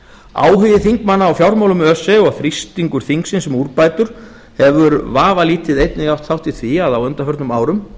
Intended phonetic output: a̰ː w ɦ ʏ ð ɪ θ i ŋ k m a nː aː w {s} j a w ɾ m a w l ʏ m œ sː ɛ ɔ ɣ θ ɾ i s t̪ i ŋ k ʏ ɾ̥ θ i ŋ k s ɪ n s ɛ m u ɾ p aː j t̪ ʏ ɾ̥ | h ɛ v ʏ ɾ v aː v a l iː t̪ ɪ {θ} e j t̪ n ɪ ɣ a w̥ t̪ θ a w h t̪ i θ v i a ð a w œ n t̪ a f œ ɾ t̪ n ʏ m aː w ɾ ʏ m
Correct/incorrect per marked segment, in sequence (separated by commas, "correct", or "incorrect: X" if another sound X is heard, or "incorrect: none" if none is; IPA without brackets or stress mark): incorrect: f, incorrect: ð